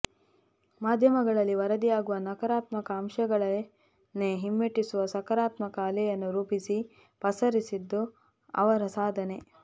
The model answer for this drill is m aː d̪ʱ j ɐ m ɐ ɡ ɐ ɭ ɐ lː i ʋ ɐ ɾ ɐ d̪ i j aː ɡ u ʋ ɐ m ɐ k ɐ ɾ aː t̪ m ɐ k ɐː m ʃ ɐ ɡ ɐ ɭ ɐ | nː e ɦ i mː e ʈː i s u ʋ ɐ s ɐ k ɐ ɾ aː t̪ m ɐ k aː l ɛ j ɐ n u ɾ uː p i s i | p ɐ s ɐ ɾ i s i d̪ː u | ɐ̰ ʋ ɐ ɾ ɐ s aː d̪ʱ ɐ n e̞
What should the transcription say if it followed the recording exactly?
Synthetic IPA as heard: m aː d̪ʱ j ɐ m ɐ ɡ ɐ ɭ ɐ lː i ʋ ɐ ɾ ɐ d̪ i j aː ɡ u ʋ ɐ n ɐ k ɐ ɾ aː t̪ m ɐ k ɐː m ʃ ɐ ɡ ɐ ɭ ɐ | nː e ɦ i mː e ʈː i s u ʋ ɐ s ɐ k ɐ ɾ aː t̪ m ɐ k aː l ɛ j ɐ nː u ɾ uː p i s i | p ɐ s ɐ ɾ i s i d̪ː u | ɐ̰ ʋ ɐ ɾ ɐ s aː d̪ʱ ɐ n e̞